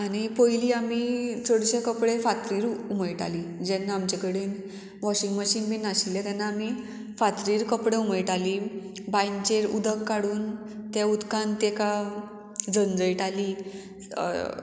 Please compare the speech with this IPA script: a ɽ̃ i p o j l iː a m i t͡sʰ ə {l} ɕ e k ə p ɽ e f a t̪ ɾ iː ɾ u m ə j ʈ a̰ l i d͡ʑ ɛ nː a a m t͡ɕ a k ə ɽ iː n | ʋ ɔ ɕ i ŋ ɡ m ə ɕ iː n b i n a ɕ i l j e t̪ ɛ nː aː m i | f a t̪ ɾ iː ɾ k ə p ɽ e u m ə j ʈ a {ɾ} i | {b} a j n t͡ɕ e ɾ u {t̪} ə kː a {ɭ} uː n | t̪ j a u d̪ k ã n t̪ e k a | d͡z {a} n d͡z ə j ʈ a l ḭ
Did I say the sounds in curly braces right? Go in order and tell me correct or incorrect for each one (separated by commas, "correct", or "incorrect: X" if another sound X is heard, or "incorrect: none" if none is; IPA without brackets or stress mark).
incorrect: ɽ, incorrect: l, correct, incorrect: d̪, incorrect: ɽ, incorrect: ə